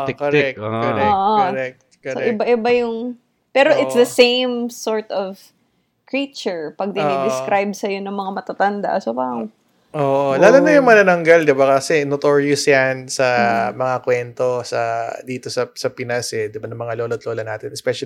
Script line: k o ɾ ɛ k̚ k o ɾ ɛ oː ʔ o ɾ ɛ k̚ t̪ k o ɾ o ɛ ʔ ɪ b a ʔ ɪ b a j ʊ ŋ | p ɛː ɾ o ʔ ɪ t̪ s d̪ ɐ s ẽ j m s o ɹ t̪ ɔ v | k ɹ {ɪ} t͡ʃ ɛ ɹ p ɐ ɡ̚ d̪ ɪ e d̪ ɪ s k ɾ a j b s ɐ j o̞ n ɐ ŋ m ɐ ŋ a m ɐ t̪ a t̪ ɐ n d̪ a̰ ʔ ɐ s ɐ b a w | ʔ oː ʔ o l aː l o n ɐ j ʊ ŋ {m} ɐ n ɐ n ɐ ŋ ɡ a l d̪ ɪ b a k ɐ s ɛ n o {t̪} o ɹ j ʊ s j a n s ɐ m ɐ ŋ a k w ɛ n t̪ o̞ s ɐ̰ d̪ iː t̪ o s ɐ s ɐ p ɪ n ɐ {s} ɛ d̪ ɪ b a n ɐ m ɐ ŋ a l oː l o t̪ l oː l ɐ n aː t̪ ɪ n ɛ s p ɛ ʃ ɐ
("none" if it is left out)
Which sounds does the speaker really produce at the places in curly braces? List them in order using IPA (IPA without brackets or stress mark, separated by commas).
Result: i, m, t̪, s